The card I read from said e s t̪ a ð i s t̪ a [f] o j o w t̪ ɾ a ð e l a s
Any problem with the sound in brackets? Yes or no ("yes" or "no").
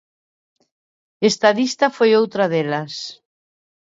no